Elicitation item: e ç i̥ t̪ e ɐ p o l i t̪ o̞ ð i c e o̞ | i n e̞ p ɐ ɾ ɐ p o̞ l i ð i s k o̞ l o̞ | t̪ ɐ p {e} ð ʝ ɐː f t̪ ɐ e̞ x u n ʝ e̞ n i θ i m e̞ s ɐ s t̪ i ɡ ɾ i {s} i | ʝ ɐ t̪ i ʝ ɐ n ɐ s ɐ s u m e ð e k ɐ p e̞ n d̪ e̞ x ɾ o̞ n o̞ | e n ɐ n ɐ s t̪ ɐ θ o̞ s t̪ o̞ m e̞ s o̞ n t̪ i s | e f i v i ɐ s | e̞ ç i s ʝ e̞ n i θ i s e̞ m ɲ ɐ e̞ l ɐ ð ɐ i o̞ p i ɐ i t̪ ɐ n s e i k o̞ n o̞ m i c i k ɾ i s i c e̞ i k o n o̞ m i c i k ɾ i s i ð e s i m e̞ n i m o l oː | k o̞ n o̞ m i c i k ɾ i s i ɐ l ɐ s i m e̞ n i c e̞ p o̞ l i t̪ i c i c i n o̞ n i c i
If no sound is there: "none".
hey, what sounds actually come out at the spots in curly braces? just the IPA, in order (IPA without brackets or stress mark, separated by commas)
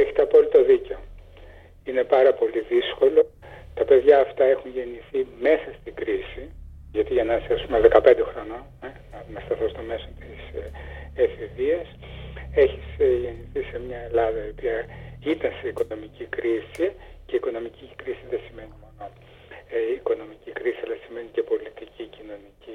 e, s